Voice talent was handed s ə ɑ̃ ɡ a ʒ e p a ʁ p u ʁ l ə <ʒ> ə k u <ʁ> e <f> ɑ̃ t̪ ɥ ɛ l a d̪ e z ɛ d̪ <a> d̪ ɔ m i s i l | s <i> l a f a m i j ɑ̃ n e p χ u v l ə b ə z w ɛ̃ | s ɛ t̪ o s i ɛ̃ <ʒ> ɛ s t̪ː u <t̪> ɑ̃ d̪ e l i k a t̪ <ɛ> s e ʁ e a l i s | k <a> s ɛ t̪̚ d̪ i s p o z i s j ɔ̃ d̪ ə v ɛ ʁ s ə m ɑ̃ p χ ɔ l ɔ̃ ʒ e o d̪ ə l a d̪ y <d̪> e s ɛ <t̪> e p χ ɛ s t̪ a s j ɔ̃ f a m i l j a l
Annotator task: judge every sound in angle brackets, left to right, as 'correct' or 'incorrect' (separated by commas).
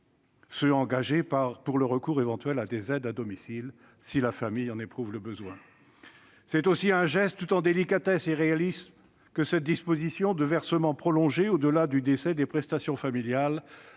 incorrect, correct, incorrect, correct, correct, correct, correct, correct, incorrect, correct, incorrect